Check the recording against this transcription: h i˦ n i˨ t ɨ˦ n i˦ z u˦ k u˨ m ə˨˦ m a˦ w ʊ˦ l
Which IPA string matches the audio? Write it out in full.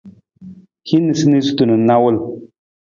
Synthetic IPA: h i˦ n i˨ s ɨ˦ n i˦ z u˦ t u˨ n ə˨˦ n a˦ w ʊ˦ l